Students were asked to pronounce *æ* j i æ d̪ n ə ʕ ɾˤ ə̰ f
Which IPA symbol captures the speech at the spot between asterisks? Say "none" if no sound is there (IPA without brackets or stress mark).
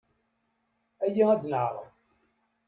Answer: æ